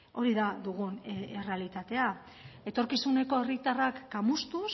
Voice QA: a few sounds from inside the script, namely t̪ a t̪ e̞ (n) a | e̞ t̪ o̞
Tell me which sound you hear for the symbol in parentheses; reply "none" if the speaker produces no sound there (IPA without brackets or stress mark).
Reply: none